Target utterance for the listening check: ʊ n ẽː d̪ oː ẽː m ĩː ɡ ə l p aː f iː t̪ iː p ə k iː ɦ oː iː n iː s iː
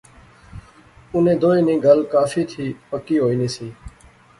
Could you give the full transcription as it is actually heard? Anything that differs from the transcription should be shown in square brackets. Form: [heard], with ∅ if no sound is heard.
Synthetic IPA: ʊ n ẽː d̪ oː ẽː [n] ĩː ɡ ə l [k] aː f iː [t̪ʰ] iː p ə k iː ɦ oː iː n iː s iː